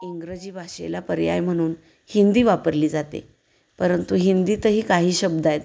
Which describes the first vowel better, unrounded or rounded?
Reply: unrounded